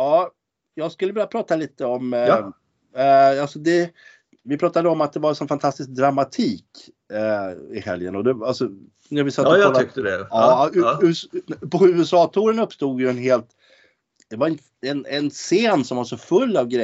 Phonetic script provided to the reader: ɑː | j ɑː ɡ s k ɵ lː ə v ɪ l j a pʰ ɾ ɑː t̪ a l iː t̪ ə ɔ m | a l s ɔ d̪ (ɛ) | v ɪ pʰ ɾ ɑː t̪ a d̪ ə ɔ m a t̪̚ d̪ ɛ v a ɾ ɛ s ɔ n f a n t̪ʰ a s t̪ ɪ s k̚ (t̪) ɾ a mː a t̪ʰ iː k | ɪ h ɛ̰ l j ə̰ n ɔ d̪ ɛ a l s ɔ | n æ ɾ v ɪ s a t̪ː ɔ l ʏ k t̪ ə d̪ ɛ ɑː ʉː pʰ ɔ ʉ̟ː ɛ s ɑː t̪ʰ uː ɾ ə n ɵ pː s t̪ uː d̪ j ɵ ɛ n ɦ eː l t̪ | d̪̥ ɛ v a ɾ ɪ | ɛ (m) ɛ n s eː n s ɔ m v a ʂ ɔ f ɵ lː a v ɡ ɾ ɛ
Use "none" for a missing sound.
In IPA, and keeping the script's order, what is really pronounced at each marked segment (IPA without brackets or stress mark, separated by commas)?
ɛ, d̪, n